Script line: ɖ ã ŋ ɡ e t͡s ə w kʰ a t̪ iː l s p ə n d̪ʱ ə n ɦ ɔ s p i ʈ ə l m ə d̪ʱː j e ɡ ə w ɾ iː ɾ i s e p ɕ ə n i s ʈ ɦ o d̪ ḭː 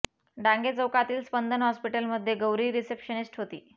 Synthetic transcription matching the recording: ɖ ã ŋ ɡ e t͡s ə w k a t̪ iː l s p ə n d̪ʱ ə n ɦ ɔ s p i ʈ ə l m ə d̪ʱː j e ɡ ə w ɾ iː ɾ i s e p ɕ ə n i s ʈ ɦ o t̪ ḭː

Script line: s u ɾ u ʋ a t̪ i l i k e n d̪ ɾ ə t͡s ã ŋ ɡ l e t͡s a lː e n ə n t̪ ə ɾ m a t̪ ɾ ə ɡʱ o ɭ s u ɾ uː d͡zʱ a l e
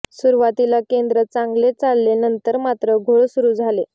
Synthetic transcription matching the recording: s u ɾ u ʋ a t̪ i l a k e n d̪ ɾ ə t͡s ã ŋ ɡ l e t͡s a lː e n ə n t̪ ə ɾ m a t̪ ɾ ə ɡʱ o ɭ s u ɾ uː d͡zʱ a l e

